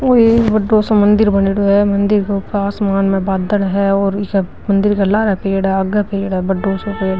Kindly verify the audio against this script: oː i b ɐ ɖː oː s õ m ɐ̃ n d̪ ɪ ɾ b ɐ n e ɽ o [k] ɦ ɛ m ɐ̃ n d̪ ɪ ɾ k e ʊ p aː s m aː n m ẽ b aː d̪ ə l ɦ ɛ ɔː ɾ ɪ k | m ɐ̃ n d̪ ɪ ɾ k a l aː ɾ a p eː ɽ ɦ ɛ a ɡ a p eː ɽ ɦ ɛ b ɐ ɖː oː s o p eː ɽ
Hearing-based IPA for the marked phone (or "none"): none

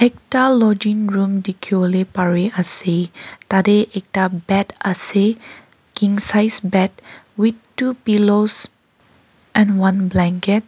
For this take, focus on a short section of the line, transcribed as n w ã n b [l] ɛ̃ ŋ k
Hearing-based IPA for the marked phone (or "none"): l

